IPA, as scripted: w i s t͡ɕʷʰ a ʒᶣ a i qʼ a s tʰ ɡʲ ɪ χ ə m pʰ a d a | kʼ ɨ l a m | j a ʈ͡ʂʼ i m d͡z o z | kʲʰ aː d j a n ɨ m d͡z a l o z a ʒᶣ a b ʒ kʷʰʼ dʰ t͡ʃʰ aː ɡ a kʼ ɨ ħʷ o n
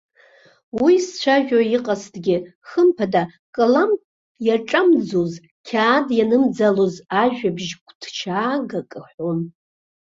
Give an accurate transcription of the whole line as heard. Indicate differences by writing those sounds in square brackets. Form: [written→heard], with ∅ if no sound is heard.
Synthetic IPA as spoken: w i s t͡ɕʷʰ a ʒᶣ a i qʼ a s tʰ ɡʲ ɪ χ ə m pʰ a d a | kʼ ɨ l a m | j a ʈ͡ʂʼ [i→a] m d͡z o z | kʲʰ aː d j a n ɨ m d͡z a l o z a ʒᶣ a b ʒ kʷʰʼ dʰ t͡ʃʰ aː ɡ a kʼ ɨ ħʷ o n